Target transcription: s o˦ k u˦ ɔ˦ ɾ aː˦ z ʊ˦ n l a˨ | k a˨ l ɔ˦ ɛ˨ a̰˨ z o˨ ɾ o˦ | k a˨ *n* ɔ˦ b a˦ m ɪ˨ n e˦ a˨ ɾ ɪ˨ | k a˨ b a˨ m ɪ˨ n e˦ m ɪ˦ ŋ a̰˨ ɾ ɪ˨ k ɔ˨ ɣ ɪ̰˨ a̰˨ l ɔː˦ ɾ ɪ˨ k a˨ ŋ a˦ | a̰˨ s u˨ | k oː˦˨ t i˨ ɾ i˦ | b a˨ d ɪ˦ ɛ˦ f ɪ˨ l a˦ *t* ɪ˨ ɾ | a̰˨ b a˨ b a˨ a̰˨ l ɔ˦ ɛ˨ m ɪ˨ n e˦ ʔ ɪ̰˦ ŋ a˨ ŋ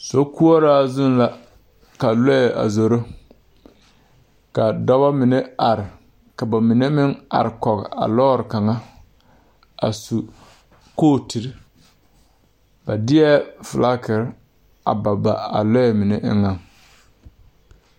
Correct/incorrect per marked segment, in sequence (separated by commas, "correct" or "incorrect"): incorrect, incorrect